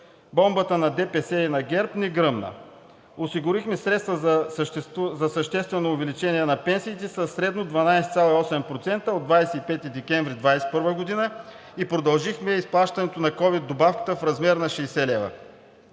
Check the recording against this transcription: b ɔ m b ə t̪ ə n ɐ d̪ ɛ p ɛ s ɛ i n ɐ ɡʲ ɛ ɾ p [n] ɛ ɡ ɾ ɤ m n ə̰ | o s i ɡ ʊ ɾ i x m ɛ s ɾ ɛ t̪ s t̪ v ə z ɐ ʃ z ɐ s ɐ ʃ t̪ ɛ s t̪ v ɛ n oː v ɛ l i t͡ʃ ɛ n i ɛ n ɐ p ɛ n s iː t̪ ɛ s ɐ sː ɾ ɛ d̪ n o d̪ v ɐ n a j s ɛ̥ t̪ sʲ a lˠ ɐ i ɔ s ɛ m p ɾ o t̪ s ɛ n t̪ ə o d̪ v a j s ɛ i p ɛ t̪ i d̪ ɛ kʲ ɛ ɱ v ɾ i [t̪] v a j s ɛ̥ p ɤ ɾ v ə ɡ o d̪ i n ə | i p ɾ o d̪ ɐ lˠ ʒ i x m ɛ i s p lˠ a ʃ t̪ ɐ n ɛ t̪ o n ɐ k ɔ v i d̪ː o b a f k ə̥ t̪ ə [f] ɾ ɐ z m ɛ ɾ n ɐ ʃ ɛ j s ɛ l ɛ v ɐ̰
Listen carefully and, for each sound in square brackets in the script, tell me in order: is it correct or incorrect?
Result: correct, incorrect, correct

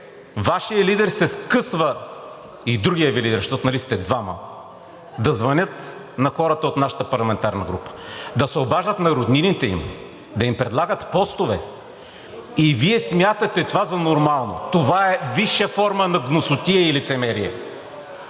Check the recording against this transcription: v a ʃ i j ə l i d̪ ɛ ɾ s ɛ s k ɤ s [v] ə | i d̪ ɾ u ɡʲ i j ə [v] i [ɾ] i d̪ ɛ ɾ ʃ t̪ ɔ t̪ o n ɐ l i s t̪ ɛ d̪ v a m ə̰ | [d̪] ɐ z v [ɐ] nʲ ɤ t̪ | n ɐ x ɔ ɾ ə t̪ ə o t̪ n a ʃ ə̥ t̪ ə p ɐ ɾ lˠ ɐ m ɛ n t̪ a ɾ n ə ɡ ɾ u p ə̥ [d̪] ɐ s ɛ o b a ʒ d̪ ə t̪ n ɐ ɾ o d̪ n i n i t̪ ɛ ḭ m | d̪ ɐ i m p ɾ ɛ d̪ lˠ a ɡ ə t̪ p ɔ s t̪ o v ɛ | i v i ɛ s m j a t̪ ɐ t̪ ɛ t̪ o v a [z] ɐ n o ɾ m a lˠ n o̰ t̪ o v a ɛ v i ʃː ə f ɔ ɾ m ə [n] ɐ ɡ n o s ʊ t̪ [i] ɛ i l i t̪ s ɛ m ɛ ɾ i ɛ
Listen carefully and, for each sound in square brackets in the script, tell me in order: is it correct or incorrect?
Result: correct, correct, incorrect, correct, correct, correct, correct, correct, correct

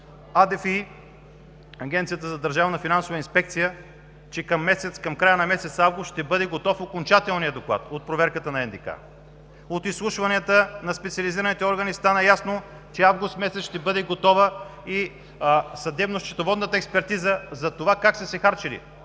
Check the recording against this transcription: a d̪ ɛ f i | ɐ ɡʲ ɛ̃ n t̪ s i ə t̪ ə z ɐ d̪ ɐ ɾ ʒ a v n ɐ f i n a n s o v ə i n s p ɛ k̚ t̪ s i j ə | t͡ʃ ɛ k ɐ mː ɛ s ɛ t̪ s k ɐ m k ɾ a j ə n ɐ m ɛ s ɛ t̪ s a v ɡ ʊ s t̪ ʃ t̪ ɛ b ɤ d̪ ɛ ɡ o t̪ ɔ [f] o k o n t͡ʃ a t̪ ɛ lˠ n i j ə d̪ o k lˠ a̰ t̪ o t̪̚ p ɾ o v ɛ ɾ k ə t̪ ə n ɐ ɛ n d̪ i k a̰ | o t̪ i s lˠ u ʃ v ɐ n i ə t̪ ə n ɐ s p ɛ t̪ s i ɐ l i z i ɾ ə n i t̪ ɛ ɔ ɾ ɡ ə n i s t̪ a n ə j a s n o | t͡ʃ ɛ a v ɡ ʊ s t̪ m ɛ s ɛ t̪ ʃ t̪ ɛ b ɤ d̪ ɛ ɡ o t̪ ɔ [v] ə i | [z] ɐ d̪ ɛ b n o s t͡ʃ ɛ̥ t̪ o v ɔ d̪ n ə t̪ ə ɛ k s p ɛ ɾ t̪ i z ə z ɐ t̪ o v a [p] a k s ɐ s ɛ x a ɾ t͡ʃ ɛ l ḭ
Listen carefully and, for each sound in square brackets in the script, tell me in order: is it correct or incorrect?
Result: correct, correct, incorrect, incorrect

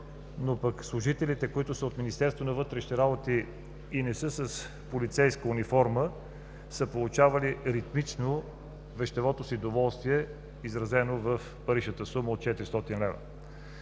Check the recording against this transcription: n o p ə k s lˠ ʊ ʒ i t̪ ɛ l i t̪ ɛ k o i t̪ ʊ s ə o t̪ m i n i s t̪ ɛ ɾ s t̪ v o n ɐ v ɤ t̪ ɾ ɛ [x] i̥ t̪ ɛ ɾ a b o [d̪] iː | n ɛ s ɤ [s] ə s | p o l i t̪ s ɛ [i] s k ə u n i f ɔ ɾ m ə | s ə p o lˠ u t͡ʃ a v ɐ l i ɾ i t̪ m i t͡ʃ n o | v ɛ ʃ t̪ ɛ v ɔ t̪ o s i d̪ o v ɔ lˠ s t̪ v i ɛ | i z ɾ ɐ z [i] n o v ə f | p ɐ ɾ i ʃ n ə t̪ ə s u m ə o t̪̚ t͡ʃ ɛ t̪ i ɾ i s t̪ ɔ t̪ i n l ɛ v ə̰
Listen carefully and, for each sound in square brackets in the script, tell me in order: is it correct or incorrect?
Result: incorrect, incorrect, correct, incorrect, incorrect

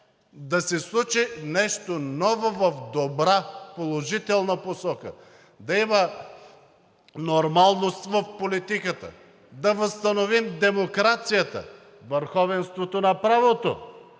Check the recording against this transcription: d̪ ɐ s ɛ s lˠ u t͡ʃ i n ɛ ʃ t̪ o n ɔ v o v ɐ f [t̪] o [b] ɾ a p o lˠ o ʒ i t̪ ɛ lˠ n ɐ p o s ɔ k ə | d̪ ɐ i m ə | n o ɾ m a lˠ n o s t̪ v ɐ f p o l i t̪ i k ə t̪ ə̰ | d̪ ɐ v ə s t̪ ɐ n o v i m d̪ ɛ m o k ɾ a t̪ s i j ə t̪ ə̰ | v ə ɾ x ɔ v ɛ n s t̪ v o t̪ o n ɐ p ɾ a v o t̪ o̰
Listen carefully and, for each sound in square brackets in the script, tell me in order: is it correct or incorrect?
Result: incorrect, correct

